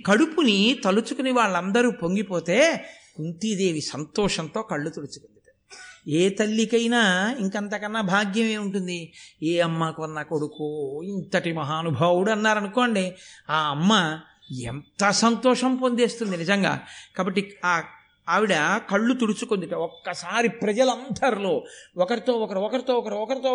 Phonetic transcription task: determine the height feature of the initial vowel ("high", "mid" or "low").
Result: low